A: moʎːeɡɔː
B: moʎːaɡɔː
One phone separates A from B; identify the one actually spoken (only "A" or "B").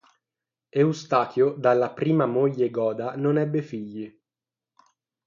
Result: A